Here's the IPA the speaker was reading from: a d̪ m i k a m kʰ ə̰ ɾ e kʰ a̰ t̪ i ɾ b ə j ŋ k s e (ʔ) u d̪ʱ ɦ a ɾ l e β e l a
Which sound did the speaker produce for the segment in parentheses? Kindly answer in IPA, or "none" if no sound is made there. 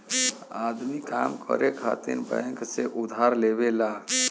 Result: ʔ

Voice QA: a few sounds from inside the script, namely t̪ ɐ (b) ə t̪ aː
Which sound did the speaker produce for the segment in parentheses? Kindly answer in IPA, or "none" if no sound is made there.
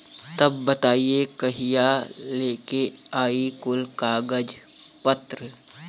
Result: bː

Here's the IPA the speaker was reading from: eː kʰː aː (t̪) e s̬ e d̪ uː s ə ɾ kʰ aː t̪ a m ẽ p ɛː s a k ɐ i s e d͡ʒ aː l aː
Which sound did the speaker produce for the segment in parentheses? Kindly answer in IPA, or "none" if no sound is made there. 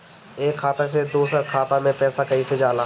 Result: t̪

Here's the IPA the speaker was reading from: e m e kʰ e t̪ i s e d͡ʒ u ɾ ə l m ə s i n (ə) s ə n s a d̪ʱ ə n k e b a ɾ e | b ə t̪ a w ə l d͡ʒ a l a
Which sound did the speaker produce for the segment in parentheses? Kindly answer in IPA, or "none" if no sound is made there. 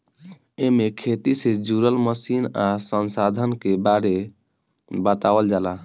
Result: a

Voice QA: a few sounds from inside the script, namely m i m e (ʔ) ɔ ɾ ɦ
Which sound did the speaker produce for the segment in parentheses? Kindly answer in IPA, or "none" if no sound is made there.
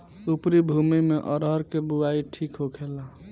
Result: ʔ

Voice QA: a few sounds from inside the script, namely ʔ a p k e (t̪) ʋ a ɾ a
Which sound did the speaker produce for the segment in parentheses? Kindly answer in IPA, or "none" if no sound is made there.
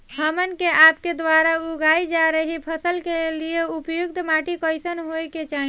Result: d̪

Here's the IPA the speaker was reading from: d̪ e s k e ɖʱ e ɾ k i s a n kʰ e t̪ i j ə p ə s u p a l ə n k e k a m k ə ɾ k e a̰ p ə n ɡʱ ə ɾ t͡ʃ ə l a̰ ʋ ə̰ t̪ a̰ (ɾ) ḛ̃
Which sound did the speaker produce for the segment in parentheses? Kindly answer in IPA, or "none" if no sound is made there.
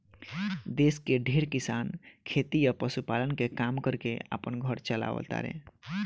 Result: ɾ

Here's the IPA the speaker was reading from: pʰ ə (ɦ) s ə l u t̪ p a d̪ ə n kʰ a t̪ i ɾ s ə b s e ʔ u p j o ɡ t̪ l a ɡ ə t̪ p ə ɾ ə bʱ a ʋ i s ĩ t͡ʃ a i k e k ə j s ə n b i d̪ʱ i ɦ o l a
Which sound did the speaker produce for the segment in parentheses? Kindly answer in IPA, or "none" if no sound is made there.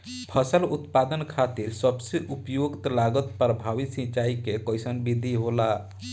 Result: none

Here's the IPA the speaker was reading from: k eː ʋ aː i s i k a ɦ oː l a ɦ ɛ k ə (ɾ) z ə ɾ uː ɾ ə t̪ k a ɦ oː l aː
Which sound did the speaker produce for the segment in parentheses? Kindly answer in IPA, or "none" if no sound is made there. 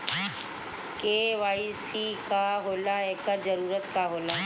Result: ɾ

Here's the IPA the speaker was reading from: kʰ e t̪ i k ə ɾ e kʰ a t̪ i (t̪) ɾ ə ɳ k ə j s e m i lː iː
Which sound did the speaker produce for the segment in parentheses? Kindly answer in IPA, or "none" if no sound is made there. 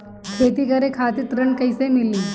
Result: t̪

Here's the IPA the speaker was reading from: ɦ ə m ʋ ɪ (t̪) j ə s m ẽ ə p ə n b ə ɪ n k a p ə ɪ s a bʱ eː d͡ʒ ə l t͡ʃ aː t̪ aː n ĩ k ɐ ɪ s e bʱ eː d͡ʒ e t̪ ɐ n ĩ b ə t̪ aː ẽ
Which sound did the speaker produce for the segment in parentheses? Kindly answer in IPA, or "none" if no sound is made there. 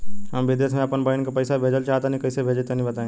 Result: d̪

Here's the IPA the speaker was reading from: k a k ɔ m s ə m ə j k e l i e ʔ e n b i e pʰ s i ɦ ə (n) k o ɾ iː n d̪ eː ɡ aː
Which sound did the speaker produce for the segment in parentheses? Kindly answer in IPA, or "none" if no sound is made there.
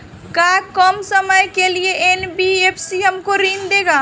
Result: m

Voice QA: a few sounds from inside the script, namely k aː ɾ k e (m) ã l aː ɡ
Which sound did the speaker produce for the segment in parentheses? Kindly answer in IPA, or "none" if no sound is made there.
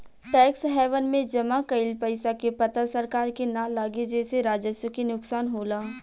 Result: n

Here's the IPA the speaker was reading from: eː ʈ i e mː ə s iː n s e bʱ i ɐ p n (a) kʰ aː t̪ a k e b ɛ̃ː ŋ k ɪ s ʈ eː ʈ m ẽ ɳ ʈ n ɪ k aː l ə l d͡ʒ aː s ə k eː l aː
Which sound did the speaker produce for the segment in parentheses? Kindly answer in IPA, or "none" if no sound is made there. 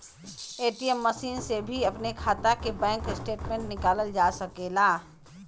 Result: e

